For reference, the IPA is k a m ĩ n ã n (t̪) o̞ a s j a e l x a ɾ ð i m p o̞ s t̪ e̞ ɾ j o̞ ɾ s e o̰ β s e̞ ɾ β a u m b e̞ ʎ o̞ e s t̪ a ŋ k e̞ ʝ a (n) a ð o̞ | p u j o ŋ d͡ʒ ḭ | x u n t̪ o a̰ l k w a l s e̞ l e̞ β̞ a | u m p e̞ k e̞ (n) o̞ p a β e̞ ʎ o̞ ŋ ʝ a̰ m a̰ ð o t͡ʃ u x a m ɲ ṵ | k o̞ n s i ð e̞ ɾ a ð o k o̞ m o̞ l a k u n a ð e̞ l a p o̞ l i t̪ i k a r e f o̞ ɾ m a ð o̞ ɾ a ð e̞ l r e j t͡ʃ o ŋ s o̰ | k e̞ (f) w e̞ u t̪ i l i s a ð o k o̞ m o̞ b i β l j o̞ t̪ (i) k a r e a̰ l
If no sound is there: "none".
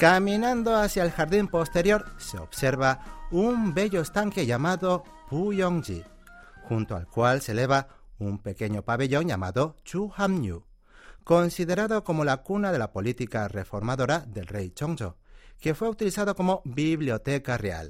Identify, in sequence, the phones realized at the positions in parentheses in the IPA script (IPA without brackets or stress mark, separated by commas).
d̪, m, ɲ, f, e